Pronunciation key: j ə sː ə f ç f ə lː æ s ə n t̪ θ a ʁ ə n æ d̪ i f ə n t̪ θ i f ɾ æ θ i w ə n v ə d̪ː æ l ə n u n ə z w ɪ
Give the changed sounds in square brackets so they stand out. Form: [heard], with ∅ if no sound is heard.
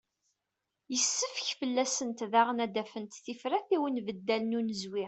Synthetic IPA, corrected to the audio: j ə sː ə f ç f ə lː æ s ə n t̪ [ð] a ʁ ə n æ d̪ [æ] f ə n t̪ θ i f ɾ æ θ i w ə n v ə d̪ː æ l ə n u n ə z w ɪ